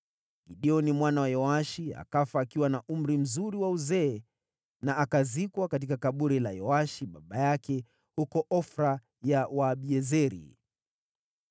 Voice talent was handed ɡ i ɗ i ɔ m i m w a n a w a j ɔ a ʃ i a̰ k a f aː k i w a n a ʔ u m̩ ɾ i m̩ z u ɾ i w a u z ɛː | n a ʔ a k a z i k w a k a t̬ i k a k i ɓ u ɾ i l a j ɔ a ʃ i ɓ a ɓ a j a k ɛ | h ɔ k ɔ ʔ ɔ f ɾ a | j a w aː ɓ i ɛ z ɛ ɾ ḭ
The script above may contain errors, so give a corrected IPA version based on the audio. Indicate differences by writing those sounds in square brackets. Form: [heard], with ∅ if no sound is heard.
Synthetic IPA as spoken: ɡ i ɗ i ɔ [n] i m w a n a w a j ɔ a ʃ i a̰ k a f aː k i w a n a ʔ u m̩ ɾ i m̩ z u ɾ i w a u z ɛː | n a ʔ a k a z i k w a k a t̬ i k a k [a] ɓ u ɾ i l a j ɔ a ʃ i ɓ a ɓ a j a k ɛ | h [u] k ɔ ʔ ɔ f ɾ a | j a w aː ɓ i ɛ z ɛ ɾ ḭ